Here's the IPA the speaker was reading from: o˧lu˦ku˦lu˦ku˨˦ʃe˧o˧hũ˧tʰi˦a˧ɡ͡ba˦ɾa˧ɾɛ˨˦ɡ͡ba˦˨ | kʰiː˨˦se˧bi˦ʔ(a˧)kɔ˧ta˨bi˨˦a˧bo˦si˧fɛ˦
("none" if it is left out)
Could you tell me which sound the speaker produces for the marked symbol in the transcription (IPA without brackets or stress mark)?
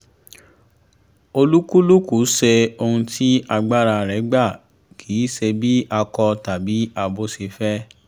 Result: a˧